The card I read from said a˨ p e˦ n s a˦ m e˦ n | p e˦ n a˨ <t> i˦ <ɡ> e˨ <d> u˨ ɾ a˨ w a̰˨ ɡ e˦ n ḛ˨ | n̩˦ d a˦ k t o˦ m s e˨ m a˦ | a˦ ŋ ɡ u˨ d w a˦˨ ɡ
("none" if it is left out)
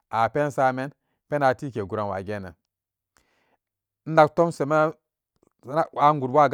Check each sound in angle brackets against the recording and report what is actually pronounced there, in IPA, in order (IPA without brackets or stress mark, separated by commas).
t, k, ɡ